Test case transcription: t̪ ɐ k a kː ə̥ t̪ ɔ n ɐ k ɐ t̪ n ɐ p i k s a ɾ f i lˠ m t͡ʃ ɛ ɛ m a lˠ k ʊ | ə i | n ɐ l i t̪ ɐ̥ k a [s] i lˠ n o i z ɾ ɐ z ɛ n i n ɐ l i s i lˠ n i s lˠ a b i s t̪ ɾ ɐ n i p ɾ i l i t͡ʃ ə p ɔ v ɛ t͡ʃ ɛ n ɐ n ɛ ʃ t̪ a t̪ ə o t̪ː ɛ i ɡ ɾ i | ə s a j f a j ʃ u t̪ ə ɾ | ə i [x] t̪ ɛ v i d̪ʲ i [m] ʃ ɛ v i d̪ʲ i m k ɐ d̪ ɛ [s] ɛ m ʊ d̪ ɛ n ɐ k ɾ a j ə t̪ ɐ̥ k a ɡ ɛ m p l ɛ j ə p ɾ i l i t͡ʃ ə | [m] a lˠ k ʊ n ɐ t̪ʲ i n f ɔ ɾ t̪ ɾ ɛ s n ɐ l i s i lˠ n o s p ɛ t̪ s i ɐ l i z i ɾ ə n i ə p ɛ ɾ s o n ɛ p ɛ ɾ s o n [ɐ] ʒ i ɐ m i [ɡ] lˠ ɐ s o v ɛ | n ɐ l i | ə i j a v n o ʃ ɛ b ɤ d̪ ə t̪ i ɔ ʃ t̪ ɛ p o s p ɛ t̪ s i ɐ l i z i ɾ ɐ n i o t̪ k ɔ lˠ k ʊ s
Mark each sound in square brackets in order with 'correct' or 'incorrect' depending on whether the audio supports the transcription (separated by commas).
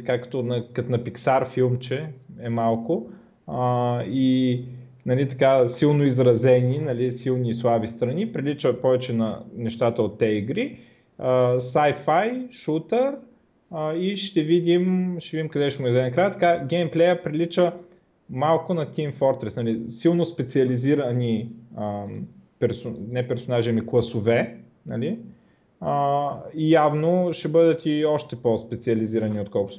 correct, incorrect, correct, incorrect, correct, incorrect, incorrect